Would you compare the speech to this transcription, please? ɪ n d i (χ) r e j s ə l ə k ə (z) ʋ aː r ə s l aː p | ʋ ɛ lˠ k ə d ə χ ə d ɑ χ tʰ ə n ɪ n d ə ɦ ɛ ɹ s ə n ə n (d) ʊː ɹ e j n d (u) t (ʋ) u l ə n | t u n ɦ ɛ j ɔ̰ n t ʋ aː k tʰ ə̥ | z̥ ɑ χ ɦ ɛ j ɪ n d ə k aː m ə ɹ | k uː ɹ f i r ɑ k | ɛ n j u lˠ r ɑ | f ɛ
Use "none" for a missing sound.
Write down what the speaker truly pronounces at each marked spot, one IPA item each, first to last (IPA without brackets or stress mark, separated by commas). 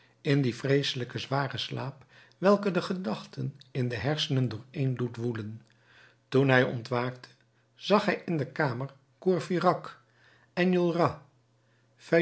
f, z, d, u, ʋ